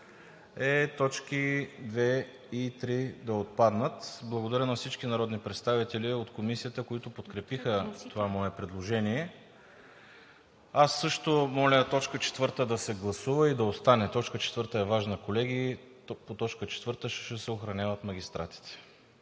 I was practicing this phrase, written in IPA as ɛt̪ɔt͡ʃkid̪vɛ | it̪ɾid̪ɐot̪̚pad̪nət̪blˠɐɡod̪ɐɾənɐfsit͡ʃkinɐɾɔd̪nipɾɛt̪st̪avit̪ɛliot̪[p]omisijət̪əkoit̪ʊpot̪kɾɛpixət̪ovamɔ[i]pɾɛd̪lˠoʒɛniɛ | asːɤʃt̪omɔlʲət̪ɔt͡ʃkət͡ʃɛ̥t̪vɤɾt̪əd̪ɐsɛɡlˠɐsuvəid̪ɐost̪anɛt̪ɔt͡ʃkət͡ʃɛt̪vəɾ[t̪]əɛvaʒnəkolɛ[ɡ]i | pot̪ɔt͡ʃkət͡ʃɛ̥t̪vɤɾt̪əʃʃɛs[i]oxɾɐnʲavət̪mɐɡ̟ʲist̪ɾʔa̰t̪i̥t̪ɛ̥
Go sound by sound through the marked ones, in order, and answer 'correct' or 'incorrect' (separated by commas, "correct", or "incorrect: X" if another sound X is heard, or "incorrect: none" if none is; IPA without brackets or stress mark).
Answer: incorrect: k, incorrect: ɛ, correct, correct, incorrect: ɛ